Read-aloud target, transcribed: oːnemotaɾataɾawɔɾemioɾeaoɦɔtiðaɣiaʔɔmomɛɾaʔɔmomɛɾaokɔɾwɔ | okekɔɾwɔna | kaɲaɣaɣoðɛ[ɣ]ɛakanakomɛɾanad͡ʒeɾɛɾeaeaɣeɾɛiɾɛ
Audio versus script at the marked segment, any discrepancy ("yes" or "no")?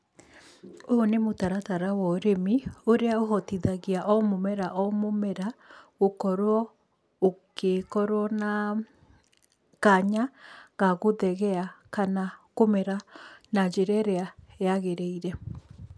no